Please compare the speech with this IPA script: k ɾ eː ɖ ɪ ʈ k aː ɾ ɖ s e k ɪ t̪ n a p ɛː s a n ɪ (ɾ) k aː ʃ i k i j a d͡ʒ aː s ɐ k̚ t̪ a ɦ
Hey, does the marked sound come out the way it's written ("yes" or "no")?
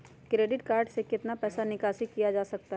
no